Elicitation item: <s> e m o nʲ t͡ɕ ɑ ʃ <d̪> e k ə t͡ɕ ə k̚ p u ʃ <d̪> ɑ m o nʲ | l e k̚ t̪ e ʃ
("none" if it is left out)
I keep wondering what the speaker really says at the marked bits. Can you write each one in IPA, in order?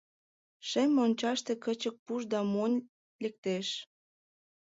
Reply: ʃ, t̪, d̪

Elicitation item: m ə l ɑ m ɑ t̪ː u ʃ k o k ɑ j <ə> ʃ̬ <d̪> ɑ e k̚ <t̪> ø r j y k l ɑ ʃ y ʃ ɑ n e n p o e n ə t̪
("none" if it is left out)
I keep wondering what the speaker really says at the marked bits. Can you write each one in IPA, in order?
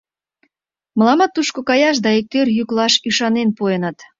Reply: ɑ, d̪, t̪

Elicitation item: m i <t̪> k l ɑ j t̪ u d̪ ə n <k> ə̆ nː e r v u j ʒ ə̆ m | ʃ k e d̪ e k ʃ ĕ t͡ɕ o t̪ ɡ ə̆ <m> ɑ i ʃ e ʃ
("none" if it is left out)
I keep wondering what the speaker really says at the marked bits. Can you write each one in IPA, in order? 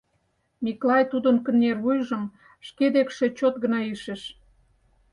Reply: none, k, n

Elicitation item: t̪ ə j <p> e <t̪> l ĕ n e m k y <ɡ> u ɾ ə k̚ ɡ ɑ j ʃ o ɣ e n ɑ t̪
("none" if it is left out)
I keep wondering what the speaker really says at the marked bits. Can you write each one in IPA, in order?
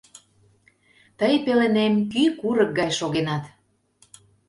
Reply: p, none, k

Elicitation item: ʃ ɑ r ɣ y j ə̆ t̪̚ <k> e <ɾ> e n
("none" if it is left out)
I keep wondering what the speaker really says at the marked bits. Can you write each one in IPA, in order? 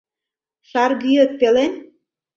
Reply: p, l

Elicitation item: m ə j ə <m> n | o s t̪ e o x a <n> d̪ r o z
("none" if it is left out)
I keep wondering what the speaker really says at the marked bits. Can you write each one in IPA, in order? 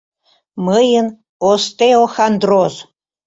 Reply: none, n

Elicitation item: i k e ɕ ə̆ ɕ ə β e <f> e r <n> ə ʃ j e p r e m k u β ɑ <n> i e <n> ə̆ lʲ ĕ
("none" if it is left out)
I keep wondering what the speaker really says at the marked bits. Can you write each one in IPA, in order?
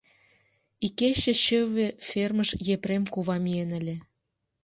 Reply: f, m, m, n

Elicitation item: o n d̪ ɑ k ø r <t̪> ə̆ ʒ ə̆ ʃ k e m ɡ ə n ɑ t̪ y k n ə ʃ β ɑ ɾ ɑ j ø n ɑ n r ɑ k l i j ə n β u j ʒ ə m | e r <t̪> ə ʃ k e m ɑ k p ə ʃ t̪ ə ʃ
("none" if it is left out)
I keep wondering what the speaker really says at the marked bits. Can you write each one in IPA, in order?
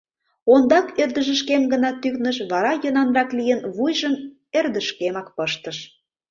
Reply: d̪, d̪

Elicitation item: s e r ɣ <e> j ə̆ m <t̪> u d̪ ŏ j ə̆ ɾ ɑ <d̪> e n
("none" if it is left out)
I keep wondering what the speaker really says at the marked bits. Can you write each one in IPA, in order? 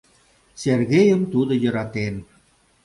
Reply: e, t̪, t̪

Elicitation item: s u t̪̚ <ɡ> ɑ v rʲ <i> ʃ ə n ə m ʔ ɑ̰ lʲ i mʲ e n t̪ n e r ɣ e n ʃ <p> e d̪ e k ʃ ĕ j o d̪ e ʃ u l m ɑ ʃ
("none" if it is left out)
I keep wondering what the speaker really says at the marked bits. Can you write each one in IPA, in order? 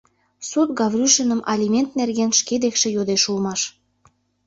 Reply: ɡ, y, k

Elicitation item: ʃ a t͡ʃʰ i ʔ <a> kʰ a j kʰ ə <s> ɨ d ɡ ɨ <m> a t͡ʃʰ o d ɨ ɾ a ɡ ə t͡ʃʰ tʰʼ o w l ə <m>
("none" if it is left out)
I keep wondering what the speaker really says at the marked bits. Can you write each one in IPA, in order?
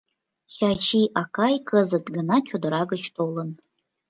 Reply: a, z, n, n

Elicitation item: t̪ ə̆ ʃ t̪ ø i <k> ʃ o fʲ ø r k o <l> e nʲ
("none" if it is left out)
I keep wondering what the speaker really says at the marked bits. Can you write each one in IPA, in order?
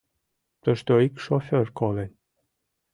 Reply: k, l

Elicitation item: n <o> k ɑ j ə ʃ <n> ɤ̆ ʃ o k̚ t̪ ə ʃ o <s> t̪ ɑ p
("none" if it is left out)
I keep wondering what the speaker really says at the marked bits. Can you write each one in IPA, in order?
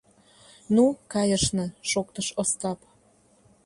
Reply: u, n, s

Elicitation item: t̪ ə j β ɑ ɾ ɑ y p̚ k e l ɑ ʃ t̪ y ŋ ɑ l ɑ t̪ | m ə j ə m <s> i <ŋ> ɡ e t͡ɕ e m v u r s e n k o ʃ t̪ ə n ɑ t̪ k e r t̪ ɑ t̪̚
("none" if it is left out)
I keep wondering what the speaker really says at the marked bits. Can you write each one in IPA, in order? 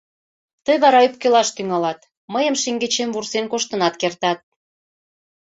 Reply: ʃ, ŋ

